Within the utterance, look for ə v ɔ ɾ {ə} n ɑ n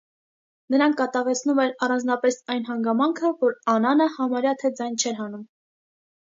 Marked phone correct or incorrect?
incorrect